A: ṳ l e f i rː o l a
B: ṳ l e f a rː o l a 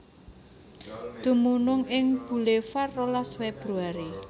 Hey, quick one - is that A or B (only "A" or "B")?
B